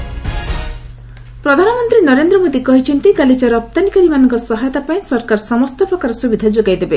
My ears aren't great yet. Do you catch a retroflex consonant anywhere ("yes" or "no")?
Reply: no